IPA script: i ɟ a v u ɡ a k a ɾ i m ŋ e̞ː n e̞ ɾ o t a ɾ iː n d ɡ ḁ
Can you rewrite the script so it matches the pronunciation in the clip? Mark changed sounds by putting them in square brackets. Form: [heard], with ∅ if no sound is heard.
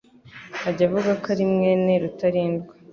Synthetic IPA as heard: [a] ɟ a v u ɡ a k a ɾ i m ŋ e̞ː n e̞ ɾ [u] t a ɾ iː n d ɡ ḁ